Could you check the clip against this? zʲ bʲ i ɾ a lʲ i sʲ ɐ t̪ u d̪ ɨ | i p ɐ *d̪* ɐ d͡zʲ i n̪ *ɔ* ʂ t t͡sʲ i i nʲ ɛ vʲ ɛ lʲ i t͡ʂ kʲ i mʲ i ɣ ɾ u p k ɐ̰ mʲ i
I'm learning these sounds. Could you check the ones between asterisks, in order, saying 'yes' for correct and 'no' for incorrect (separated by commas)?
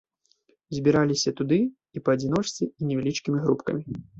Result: no, yes